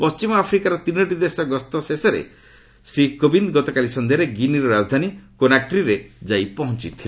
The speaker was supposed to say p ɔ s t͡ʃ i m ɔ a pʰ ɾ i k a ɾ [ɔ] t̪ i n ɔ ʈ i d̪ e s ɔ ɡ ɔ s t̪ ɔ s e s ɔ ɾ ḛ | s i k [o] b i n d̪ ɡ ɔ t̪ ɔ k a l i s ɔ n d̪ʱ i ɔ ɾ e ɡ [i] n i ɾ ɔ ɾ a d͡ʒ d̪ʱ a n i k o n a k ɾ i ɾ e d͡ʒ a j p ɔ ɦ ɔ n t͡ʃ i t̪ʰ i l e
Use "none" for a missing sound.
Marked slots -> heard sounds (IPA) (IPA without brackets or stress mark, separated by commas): ɔ, o, i